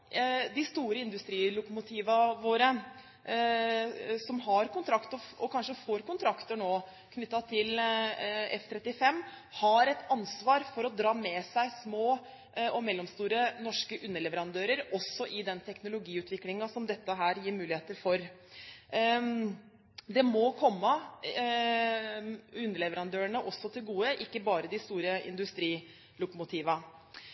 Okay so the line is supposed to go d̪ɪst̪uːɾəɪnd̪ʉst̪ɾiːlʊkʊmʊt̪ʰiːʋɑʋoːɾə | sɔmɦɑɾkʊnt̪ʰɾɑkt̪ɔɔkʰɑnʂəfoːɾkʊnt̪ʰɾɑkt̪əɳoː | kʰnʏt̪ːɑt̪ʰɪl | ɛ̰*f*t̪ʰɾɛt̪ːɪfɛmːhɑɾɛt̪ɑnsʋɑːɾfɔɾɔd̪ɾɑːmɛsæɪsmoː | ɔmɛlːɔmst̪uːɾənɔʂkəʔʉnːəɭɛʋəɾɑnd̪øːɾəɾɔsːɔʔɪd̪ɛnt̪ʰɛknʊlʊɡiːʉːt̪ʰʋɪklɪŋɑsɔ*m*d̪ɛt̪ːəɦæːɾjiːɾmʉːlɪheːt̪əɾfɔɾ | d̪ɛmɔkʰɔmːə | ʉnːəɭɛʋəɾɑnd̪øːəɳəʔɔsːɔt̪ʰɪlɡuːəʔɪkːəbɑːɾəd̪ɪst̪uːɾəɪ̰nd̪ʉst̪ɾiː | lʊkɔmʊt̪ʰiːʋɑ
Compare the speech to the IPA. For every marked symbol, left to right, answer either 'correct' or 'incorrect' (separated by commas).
correct, correct